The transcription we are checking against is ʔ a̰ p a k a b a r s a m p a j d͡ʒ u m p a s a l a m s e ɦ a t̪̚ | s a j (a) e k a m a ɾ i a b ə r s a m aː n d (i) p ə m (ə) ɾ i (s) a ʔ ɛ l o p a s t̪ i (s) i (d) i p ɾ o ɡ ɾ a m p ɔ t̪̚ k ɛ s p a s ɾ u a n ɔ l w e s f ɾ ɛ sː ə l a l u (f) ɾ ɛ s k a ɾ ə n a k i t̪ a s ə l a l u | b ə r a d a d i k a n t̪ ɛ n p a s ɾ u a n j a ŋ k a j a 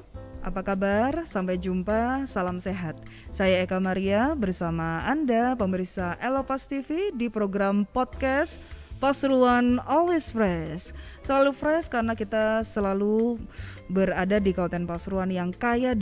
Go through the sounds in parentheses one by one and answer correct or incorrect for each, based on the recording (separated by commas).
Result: correct, incorrect, correct, correct, incorrect, correct, correct